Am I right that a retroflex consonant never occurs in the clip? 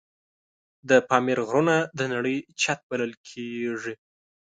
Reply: no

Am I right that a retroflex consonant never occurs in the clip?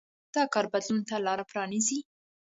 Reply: yes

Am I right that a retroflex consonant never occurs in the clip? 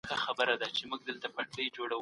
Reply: no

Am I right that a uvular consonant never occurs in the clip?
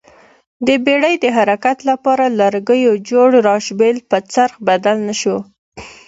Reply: yes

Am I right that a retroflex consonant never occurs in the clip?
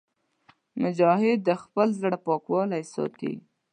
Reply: no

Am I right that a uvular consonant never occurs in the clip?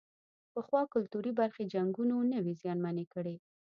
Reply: yes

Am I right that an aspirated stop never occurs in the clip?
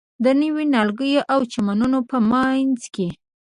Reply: yes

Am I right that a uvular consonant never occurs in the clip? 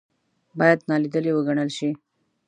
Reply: yes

